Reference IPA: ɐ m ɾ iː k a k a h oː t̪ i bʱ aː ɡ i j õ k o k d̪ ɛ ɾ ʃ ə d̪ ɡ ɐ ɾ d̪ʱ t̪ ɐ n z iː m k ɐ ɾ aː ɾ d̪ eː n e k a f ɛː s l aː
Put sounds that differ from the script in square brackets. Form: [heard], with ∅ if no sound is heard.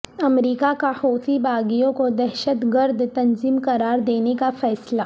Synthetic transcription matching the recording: ɐ m ɾ iː k a k a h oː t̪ i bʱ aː ɡ i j õ k o [∅] d̪ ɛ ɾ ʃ ə [t̪] ɡ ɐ ɾ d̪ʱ t̪ ɐ n z iː m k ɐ ɾ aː ɾ d̪ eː n e k a f ɛː s l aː